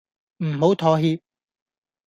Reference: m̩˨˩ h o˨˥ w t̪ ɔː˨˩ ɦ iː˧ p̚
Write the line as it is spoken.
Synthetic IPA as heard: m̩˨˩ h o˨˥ w t̪ʰ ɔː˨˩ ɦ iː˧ p̚